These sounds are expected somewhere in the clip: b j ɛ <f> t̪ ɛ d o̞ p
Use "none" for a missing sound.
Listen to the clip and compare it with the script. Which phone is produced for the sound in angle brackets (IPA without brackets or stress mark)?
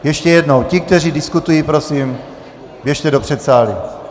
ʃ